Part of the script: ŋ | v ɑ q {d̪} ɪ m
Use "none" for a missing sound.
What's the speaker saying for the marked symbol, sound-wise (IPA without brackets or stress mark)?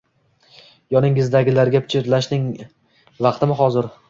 t̪